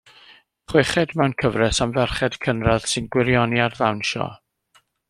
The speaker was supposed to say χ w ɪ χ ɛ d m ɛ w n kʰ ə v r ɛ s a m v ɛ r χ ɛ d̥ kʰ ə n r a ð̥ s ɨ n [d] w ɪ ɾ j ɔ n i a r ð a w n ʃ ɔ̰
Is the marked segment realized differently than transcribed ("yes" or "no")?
yes